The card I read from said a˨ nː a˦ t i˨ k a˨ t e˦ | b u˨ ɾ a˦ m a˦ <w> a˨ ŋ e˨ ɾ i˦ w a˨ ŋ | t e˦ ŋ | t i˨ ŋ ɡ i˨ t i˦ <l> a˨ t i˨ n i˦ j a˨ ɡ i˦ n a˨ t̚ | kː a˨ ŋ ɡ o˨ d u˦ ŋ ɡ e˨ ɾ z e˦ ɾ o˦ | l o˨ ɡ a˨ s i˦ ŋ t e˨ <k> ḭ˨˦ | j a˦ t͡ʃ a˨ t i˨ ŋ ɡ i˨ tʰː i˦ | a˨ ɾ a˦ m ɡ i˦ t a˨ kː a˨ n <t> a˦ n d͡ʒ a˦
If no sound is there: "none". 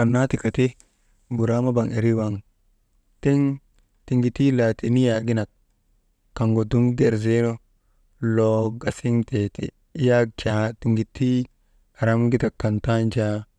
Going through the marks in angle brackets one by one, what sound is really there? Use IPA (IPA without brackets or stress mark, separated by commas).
b, l, t, t